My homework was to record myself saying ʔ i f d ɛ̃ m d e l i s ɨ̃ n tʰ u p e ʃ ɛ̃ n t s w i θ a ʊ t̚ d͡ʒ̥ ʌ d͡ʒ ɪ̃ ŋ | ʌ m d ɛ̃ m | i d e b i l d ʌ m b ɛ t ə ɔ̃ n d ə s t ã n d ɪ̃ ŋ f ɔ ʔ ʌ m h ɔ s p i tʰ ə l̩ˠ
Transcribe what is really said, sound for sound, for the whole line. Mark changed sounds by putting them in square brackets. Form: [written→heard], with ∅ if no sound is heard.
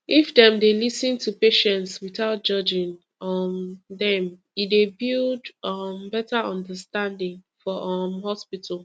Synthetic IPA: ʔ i f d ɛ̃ m d e l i s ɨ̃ n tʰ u p e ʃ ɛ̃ n t s w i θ a ʊ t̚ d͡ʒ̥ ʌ d͡ʒ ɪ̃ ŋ | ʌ m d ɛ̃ m | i d e b i l d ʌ m b ɛ t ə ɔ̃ n d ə s t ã n d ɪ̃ ŋ f ɔ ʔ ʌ m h ɔ s p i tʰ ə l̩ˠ